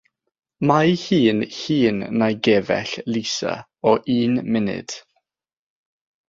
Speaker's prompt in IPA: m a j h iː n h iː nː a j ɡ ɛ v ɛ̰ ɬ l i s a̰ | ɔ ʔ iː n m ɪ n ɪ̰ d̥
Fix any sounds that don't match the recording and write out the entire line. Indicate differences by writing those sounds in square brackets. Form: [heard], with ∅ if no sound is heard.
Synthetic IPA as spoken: m a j h iː n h iː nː a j ɡ ɛ v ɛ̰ ɬ l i s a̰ | ɔ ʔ iː n m ɪ n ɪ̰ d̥